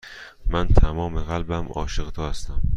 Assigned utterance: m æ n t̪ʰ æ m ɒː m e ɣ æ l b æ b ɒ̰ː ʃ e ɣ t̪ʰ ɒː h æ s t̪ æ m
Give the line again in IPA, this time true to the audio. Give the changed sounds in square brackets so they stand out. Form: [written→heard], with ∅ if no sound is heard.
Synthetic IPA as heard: m æ n t̪ʰ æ m ɒː m e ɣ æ l b æ [b→m] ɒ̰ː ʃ e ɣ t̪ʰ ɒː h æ s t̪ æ m

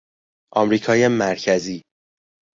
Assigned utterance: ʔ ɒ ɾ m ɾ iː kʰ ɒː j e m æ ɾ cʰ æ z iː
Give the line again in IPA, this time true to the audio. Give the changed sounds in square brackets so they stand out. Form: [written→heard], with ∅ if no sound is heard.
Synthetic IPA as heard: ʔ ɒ [ɾ→∅] m ɾ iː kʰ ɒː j e m æ ɾ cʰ æ z iː

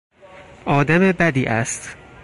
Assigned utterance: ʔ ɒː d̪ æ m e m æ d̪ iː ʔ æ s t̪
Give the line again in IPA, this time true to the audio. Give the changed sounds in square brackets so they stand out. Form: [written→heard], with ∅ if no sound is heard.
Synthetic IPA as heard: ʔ ɒː d̪ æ m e [m→b] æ d̪ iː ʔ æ s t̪

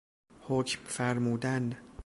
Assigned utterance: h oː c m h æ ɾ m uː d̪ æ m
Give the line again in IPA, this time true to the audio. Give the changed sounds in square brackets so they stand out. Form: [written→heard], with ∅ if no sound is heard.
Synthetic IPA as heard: h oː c m [h→f] æ ɾ m uː d̪ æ [m→n]

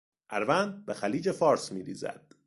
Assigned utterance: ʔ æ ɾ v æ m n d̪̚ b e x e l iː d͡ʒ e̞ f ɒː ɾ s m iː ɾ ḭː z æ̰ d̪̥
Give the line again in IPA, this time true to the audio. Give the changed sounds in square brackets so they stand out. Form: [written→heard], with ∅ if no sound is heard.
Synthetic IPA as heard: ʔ æ ɾ v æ [m→∅] n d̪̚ b e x [e→æ] l iː d͡ʒ e̞ f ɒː ɾ s m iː ɾ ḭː z æ̰ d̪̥

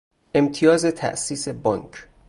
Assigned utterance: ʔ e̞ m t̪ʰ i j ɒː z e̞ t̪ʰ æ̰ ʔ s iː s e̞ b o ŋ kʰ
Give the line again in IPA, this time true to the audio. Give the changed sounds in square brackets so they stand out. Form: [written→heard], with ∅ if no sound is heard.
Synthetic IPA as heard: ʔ e̞ m t̪ʰ i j ɒː z e̞ t̪ʰ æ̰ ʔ s iː s e̞ b [o→ɒ] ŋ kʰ

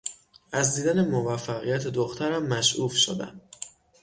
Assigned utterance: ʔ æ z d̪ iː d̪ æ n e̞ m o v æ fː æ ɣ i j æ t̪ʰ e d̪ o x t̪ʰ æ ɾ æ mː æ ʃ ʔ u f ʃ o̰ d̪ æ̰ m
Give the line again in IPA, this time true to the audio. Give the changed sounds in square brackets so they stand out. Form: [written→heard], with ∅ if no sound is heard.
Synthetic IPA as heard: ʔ æ z d̪ iː d̪ æ n e̞ m o v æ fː æ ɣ i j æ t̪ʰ e d̪ o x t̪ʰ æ ɾ æ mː æ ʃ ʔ u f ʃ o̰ d̪ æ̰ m

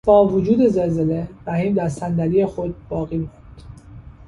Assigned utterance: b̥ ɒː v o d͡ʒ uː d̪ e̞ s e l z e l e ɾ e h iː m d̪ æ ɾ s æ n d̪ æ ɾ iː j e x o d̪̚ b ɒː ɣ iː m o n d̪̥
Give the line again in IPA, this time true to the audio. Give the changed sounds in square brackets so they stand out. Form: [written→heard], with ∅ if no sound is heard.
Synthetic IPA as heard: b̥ ɒː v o d͡ʒ uː d̪ e̞ [s→z] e l z e l e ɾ [e→æ] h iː m d̪ æ ɾ s æ n d̪ æ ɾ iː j e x o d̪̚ b ɒː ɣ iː m o n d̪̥

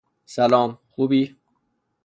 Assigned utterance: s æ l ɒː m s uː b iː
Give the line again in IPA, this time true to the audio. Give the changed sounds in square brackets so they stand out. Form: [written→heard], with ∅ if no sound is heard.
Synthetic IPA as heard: s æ l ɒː m [s→x] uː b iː

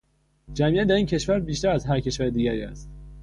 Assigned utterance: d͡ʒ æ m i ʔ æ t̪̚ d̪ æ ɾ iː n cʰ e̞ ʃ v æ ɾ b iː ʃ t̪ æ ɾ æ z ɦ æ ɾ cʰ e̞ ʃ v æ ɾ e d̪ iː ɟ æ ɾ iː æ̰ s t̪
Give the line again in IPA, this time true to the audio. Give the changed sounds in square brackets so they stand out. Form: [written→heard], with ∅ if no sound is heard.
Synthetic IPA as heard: d͡ʒ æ m i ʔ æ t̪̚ d̪ æ ɾ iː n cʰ e̞ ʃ v æ ɾ b iː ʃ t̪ æ ɾ æ z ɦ æ ɾ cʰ e̞ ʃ v æ ɾ e d̪ iː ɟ æ ɾ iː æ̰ s t̪

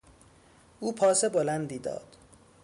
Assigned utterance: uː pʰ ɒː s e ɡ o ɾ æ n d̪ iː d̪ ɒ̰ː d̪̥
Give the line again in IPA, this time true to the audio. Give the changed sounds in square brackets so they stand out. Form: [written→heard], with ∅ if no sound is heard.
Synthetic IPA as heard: uː pʰ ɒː s e [ɡ→b] o [ɾ→l] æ n d̪ iː d̪ ɒ̰ː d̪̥

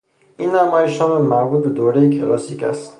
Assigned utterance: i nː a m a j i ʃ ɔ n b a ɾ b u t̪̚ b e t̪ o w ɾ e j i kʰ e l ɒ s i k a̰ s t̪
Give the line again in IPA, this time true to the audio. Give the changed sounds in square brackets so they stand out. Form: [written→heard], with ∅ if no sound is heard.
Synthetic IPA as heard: i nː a m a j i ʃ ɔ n [b→m] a ɾ b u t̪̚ b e [t̪→d̪] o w ɾ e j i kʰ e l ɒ s i k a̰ s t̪

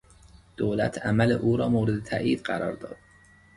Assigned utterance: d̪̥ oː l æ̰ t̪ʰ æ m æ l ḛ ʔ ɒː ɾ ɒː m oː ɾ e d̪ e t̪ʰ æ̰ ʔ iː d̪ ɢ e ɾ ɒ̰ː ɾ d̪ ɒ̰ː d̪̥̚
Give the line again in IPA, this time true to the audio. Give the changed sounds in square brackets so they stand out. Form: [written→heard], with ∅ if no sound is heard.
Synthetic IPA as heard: d̪̥ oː l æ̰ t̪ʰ æ m æ l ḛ ʔ [ɒː→uː] ɾ ɒː m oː ɾ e d̪ e t̪ʰ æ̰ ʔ iː d̪ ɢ [e→æ] ɾ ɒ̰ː ɾ d̪ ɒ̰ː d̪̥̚

